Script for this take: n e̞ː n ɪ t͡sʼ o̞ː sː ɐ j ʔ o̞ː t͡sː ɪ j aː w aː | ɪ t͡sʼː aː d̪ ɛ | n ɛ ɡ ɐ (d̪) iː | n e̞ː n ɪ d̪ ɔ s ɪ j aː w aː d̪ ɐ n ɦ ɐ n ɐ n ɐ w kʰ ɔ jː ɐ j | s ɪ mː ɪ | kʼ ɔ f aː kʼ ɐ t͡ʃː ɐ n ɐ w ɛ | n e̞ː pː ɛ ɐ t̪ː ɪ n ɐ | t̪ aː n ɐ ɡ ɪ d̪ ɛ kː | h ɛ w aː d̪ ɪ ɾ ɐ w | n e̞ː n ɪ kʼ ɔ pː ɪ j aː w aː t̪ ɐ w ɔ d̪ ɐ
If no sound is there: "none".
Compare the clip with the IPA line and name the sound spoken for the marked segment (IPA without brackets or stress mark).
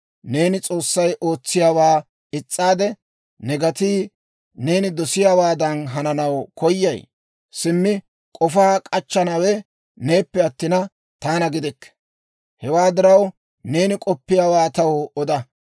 t̪